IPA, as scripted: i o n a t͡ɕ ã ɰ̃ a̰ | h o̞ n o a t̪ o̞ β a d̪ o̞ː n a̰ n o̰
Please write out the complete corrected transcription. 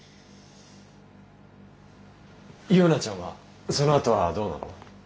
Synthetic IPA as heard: i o n a t͡ɕ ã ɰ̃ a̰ | s o̞ n o a t̪ o̞ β a d̪ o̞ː n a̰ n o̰